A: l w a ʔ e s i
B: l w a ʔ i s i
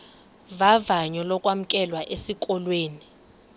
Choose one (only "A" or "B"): A